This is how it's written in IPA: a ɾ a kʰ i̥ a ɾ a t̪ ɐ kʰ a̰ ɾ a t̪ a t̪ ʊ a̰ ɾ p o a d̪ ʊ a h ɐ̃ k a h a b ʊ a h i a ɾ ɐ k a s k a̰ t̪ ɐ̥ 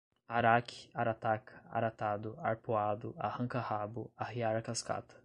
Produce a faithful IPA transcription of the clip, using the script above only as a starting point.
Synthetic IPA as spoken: a ɾ a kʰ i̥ a ɾ a t̪ a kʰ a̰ ɾ a t̪ a d̪ ʊ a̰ ɾ p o a d̪ ʊ a h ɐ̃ k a h a b ʊ a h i a ɾ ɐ k a s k a̰ t̪ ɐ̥